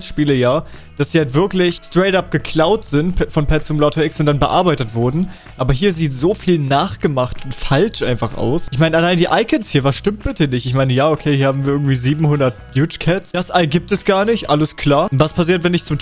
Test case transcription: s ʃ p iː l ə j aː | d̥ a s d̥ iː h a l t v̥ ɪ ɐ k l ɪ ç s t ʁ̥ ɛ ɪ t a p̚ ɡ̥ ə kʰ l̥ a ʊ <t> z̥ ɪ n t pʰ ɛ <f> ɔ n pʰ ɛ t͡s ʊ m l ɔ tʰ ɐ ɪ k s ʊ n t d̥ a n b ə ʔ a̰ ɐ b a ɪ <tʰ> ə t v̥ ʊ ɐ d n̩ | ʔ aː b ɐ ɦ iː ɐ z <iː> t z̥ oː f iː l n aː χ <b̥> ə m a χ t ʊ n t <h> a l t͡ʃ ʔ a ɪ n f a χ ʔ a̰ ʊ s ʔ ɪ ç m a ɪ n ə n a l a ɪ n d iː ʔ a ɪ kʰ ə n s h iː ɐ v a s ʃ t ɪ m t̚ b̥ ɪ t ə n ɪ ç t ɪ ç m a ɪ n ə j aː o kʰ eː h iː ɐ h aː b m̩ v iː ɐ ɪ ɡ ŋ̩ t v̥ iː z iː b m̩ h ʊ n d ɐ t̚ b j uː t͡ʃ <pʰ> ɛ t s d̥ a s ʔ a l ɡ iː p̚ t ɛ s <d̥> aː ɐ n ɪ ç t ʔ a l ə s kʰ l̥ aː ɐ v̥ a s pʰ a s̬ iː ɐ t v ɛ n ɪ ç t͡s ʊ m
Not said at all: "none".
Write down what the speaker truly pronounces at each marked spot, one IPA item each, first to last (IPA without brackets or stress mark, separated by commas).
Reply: t, f, t, iː, ɡ̥, f, kʰ, ɡ̥